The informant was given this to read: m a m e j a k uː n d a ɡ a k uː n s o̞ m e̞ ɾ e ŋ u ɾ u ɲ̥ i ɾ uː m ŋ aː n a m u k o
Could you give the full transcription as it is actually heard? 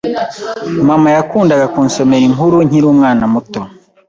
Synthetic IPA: m a m a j a k uː n d a ɡ a k uː n s o̞ m e̞ ɾ i ŋ u ɾ u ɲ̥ i ɾ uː m ŋ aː n a m u t o

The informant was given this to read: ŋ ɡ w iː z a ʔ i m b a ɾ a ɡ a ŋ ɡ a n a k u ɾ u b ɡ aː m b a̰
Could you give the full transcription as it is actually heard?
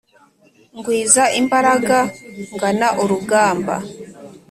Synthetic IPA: ŋ ɡ w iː z a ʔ i m b a ɾ a ɡ a ŋ ɡ a n a ʔ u ɾ u ɡ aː m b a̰

